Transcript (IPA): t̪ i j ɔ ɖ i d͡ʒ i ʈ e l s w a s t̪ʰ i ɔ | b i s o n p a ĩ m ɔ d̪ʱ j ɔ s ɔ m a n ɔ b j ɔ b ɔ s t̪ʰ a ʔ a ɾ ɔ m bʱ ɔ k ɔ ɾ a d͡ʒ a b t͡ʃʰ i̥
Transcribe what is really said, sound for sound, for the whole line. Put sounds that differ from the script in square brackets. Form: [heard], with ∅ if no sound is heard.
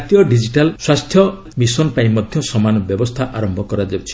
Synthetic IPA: t̪ i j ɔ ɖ i d͡ʒ i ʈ [a] l s w a s t̪ʰ [j] ɔ | [m] i s [ɔ] n p a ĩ m ɔ d̪ʱ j ɔ s ɔ m a n ɔ b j ɔ b ɔ s t̪ʰ a ʔ a ɾ ɔ m bʱ ɔ k ɔ ɾ a d͡ʒ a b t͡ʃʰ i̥